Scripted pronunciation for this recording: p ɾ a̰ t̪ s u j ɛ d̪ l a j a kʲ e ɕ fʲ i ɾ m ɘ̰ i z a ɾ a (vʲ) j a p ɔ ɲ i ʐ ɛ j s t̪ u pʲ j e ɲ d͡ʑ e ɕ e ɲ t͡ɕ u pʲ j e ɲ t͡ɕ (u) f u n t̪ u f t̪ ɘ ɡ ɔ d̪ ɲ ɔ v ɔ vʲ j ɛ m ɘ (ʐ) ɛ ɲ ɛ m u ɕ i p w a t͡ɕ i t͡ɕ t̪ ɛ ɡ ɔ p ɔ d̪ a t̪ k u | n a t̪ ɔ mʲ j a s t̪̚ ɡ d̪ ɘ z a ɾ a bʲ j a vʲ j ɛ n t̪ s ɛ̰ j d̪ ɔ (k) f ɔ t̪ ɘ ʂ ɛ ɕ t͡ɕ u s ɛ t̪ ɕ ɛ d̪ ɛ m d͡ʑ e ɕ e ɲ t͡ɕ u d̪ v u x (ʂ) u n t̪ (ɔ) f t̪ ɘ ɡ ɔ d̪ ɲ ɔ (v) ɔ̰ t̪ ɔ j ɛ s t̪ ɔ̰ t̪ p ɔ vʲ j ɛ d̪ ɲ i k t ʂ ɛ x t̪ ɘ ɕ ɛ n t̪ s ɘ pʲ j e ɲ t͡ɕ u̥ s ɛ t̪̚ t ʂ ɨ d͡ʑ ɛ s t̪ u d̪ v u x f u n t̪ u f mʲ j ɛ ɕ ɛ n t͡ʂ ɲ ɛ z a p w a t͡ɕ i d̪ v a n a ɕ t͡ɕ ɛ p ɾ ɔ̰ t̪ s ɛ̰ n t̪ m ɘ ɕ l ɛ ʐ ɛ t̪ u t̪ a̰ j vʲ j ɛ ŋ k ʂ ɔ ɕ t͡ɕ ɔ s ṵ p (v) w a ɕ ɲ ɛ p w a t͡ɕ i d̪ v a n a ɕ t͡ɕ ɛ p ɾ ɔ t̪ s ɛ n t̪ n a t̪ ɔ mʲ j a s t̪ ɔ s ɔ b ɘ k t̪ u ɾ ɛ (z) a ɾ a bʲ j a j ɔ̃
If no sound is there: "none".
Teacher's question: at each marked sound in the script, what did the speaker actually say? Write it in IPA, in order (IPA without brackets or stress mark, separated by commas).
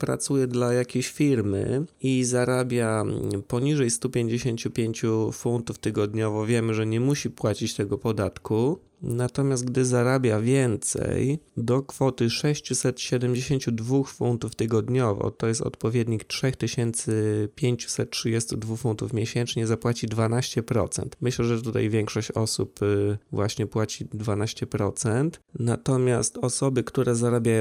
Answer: bʲ, u, ʐ, k, f, u, v, v, z